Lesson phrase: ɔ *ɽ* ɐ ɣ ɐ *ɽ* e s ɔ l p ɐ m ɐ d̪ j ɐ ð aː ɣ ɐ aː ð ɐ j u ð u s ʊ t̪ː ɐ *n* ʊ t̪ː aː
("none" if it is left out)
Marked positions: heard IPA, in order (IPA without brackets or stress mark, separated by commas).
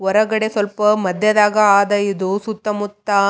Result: ɾ, ɽ, m